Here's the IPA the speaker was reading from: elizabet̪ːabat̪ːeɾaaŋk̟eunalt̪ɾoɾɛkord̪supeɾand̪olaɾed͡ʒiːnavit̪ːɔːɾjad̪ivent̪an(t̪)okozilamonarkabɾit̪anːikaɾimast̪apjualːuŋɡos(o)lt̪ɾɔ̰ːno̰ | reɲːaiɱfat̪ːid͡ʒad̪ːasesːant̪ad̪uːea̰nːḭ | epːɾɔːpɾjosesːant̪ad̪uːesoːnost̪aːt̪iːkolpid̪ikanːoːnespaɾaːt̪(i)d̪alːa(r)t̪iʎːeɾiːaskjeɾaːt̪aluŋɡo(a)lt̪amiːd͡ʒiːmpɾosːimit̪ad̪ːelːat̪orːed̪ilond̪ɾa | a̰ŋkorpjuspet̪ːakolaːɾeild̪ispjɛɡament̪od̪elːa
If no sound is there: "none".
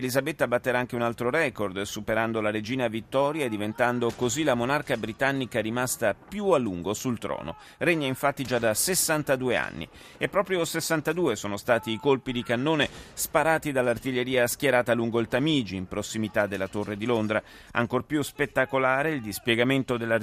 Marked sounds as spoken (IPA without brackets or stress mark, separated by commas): d̪, u, i, r, i